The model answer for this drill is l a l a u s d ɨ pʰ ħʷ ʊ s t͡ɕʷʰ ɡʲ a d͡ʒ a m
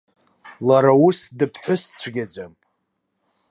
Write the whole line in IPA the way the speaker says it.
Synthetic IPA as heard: l a ɾ a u s d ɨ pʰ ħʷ ʊ s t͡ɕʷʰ ɡʲ a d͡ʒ a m